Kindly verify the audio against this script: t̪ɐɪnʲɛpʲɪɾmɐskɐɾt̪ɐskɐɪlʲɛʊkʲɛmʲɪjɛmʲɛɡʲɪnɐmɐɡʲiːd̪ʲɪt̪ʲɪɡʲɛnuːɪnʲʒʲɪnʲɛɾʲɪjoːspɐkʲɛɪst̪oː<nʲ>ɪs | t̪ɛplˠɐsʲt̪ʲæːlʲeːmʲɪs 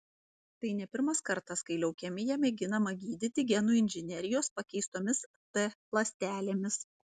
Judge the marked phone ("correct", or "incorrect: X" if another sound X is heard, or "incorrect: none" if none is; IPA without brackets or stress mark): incorrect: mʲ